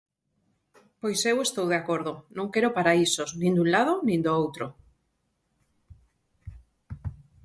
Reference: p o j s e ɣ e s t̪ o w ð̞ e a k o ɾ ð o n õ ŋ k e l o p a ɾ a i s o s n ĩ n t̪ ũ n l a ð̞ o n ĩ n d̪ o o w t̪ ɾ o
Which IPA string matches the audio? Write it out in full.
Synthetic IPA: p o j s e w e s t̪ o w ð̞ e a k o ɾ ð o n õ ŋ k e ɾ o p a ɾ a i s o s n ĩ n d̪ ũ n l a ð̞ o n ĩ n d̪ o o w t̪ ɾ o